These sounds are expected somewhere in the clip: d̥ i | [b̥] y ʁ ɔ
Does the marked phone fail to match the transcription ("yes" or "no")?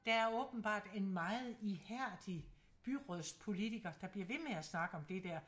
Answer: no